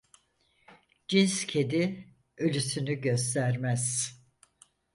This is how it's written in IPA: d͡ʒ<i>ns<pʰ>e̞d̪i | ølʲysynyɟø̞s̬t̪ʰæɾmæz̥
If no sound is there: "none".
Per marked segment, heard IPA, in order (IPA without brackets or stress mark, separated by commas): i, cʰ